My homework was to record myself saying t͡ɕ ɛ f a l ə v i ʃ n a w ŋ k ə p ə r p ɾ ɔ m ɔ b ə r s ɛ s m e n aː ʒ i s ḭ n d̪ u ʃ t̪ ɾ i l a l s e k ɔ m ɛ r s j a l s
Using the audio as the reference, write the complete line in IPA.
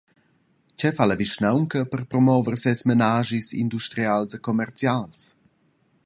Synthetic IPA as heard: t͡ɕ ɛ f a l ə v i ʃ n a w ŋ k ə p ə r p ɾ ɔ m ɔ v ə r s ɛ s m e n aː ʒ i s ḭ n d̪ u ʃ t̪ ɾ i a l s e k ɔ m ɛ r t͡s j a l s